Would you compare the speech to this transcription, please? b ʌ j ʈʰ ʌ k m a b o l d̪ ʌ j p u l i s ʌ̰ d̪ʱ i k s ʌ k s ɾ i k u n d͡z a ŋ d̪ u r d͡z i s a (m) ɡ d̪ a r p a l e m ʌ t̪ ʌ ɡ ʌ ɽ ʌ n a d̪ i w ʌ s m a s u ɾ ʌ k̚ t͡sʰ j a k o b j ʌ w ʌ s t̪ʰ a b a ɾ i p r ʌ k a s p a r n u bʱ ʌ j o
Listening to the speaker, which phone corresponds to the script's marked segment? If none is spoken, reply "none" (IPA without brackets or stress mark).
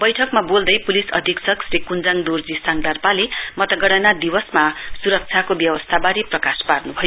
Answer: ŋ